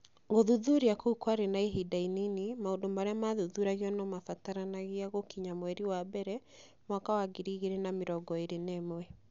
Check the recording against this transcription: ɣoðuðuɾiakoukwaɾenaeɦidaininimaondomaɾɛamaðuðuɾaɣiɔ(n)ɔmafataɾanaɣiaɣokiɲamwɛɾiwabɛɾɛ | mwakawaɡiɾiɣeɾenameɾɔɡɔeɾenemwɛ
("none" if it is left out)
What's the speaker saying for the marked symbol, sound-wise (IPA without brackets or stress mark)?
n